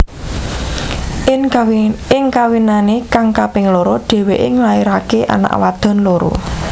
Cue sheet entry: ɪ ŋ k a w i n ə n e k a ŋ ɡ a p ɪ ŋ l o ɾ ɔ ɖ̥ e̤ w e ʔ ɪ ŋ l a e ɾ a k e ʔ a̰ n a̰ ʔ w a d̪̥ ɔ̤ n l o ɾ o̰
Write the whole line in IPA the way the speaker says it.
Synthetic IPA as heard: ɪ ŋ k a w i n a n e k a ŋ k a p ɪ ŋ l o ɾ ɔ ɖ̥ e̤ w e ʔ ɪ ŋ l a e ɾ a k e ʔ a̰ n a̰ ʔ w a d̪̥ ɔ̤ n l o ɾ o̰